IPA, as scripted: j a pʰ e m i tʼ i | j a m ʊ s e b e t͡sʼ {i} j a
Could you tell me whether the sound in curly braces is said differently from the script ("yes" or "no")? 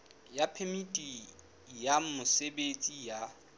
no